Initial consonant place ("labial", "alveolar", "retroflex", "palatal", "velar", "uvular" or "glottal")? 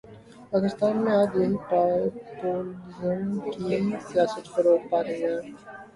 labial